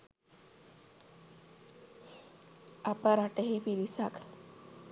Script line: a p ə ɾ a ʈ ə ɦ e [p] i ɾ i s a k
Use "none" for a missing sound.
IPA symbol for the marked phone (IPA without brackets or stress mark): p